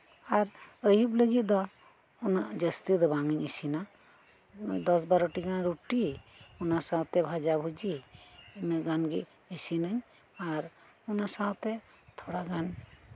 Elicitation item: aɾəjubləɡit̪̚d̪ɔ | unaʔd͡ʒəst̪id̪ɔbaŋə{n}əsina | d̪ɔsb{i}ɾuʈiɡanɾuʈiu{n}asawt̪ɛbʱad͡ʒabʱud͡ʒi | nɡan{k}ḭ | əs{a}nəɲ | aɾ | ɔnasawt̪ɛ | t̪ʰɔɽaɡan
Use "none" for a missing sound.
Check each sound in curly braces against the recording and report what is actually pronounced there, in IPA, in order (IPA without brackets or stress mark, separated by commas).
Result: ɲ, a, n, ɡ, i